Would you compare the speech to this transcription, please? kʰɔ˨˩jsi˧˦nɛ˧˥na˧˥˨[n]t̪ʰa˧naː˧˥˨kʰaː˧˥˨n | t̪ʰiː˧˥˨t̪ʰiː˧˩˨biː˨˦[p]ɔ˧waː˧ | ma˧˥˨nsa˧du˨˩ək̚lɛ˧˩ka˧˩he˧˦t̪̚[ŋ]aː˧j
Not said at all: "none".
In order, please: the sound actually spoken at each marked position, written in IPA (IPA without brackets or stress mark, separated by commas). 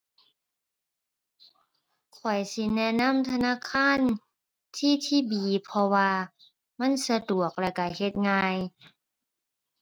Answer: m, pʰ, ŋ